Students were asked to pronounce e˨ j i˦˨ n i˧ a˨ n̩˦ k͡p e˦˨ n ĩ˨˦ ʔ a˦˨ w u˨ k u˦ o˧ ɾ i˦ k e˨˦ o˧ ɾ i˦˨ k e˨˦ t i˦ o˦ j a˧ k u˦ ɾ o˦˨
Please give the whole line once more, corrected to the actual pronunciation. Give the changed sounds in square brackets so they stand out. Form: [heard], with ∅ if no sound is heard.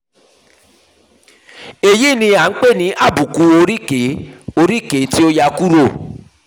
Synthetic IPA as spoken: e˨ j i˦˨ n [ĩ˧] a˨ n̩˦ k͡p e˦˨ n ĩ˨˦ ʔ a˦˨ [b] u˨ k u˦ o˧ ɾ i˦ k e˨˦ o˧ ɾ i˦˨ k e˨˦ t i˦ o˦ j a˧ k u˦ ɾ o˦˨